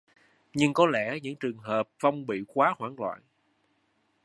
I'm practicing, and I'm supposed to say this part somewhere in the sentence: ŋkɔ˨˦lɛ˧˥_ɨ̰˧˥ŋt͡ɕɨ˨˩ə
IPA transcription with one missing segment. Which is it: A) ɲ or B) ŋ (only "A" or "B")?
A